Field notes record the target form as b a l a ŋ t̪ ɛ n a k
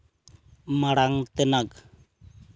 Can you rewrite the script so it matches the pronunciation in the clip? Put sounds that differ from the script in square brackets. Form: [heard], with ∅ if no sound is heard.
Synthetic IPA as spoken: [m] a [ɽ] a ŋ t̪ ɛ n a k